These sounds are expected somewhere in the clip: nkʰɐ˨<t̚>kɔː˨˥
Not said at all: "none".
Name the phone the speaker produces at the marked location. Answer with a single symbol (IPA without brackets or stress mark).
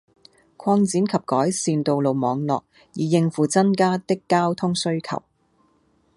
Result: p̚